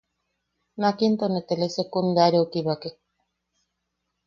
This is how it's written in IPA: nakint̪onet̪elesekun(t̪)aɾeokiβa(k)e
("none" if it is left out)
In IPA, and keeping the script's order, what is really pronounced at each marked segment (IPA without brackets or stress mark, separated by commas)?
d̪, k